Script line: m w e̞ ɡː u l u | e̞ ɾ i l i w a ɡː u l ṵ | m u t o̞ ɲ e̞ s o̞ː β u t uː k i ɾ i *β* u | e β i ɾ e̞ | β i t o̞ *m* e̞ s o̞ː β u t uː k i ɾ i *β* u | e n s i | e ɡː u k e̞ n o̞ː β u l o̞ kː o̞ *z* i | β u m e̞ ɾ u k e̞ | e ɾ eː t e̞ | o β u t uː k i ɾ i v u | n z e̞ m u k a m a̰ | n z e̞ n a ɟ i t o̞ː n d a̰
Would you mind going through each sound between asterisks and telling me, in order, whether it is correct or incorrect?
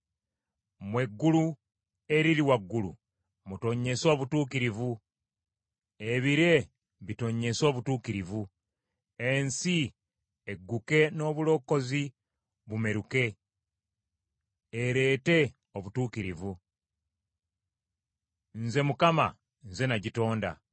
incorrect, incorrect, incorrect, correct

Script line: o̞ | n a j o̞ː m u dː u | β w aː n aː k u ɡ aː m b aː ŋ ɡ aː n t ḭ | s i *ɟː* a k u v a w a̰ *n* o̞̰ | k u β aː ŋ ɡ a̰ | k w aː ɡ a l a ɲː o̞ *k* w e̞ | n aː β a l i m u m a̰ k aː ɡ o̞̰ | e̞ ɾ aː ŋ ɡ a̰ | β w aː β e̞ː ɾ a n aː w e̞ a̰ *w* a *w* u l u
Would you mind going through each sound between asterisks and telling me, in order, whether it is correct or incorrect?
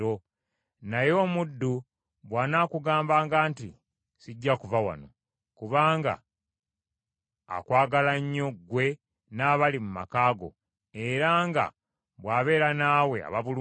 correct, correct, incorrect, incorrect, incorrect

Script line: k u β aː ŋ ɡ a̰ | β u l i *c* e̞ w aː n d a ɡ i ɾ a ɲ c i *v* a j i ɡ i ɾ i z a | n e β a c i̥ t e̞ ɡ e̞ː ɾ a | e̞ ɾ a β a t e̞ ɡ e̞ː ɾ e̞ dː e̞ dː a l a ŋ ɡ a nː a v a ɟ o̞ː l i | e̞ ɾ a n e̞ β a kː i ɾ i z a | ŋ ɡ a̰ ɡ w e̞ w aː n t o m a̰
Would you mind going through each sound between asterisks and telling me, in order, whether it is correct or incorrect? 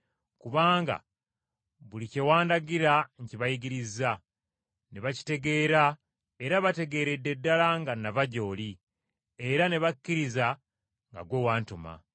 correct, incorrect

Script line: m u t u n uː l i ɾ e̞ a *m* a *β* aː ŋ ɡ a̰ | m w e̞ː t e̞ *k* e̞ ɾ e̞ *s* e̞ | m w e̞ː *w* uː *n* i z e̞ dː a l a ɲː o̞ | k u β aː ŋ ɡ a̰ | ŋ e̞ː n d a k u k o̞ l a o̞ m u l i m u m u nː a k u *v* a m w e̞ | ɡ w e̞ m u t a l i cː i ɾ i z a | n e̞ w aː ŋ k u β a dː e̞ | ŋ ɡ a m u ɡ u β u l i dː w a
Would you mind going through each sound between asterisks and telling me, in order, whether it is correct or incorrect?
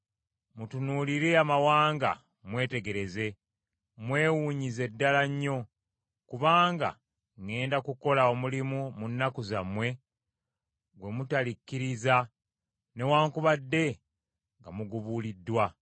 correct, incorrect, incorrect, incorrect, correct, incorrect, incorrect

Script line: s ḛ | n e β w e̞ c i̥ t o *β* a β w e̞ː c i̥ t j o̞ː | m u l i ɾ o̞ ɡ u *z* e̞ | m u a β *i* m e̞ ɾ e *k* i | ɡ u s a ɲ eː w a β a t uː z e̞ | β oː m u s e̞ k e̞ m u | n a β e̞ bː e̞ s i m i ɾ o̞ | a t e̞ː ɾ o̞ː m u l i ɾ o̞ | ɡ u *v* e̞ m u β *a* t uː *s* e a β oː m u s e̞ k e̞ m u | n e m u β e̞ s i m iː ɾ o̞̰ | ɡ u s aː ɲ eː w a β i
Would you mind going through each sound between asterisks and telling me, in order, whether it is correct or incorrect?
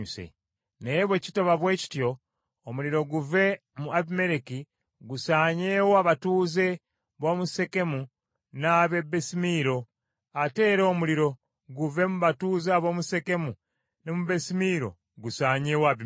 correct, incorrect, correct, correct, correct, correct, incorrect

